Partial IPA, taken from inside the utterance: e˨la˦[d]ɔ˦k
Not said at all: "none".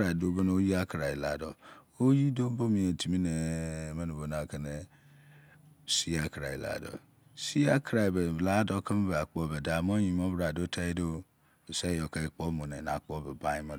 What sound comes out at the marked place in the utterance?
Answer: d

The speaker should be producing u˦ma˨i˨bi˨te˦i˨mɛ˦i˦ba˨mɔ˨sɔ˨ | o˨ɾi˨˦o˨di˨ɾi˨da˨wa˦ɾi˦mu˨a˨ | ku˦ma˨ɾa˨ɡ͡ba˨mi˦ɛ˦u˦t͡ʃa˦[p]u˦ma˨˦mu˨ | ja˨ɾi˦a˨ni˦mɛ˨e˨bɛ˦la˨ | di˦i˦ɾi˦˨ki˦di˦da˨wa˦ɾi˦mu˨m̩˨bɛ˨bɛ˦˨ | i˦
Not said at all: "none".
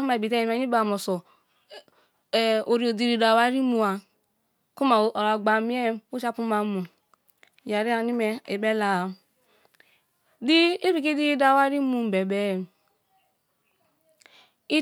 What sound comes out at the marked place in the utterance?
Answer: p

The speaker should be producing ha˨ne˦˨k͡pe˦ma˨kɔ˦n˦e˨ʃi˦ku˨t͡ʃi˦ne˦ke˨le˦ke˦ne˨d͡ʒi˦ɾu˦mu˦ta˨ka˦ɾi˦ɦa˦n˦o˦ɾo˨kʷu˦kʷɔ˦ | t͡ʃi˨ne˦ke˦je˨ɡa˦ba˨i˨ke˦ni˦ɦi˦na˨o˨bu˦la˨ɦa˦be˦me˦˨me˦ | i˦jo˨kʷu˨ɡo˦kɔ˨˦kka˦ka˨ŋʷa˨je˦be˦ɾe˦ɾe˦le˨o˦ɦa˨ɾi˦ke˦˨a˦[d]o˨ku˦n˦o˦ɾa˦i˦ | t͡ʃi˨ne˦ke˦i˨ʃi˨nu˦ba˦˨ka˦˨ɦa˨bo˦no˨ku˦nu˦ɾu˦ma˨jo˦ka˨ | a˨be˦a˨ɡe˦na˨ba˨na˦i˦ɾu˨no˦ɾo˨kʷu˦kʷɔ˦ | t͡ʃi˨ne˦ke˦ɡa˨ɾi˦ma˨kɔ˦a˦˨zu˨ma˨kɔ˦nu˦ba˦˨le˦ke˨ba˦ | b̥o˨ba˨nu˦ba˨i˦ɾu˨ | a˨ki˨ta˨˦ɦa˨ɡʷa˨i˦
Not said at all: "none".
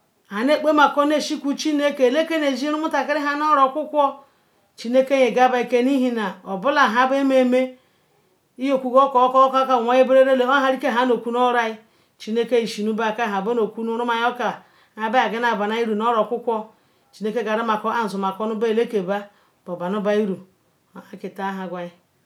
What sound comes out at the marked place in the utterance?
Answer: n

